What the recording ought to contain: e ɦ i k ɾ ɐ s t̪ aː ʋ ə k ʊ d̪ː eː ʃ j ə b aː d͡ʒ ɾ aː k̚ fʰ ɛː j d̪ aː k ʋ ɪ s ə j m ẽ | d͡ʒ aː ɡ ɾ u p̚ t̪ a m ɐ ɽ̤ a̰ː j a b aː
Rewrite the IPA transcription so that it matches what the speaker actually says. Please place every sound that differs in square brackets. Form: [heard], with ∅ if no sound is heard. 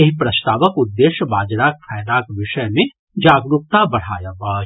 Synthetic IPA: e ɦ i [p] ɾ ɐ s t̪ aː ʋ ə k ʊ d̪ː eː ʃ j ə b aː d͡ʒ ɾ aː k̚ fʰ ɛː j d̪ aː k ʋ ɪ [ʃ] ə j m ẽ | d͡ʒ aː ɡ ɾ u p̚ t̪ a [b] ɐ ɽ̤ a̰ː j a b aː